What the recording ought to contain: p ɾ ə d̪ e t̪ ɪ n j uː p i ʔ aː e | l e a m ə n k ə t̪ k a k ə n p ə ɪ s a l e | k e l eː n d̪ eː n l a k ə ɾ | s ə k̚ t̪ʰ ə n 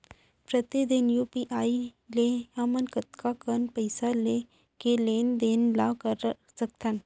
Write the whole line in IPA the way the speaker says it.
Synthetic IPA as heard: p ɾ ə t̪ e d̪ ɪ n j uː p i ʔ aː i | l e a m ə n k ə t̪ k a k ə n p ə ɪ s a l e | k e l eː n d̪ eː n l a k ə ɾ | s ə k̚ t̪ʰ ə n